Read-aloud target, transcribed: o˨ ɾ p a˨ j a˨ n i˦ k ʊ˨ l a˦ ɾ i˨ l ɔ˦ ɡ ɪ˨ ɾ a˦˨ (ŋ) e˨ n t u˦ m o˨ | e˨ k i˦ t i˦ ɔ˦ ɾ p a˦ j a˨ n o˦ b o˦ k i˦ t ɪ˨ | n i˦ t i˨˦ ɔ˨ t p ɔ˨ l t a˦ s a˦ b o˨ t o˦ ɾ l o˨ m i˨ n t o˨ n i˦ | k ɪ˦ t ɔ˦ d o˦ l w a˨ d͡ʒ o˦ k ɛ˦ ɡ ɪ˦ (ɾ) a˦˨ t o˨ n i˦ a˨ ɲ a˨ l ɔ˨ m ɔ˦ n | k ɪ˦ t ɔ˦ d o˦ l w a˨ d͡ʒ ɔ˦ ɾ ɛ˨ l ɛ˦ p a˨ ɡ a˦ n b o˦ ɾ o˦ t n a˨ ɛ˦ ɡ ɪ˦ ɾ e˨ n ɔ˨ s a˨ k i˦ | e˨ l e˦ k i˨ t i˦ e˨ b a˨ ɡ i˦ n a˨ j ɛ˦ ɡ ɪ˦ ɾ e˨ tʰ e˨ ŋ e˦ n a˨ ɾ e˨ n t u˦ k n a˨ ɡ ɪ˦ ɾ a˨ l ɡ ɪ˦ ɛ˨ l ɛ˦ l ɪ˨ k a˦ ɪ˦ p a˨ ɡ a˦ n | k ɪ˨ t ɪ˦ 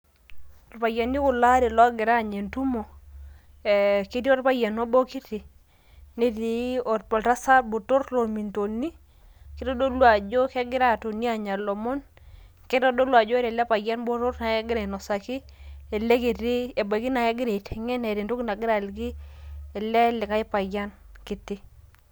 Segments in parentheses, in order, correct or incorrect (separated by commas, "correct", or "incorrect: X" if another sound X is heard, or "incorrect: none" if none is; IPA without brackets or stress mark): incorrect: ɲ, correct